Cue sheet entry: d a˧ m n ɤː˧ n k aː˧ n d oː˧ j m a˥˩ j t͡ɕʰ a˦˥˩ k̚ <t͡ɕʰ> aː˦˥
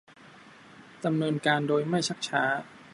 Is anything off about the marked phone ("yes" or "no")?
no